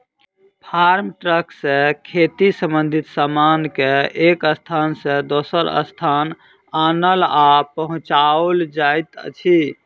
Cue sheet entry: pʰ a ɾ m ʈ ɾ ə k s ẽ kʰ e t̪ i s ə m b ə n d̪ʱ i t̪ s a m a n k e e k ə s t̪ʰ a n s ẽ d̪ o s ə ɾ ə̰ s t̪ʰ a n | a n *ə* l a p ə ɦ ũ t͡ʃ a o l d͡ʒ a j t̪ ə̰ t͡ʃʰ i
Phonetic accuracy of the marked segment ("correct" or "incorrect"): correct